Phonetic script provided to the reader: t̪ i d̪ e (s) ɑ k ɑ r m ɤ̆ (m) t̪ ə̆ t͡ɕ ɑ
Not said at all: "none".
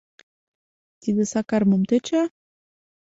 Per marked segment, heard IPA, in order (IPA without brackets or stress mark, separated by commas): s, m